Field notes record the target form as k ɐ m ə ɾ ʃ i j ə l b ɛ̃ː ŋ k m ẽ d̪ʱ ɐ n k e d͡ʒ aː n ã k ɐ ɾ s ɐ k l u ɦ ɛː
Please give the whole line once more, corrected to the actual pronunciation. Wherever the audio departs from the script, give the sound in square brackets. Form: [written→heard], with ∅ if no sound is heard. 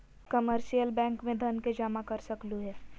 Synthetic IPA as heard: k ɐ m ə ɾ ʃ i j ə l b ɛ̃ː ŋ k m ẽ d̪ʱ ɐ n k e d͡ʒ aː [n→m] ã k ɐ ɾ s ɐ k l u ɦ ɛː